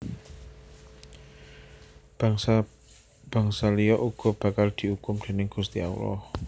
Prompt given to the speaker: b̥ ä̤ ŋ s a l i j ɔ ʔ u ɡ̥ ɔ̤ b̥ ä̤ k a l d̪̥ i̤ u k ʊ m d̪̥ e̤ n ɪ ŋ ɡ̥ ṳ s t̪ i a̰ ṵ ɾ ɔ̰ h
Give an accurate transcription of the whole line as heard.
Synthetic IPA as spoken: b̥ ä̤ ŋ s a l i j ɔ ʔ u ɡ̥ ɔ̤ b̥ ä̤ k a l d̪̥ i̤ u k ʊ m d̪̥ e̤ n ɪ ŋ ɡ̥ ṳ s t̪ i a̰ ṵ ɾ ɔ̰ h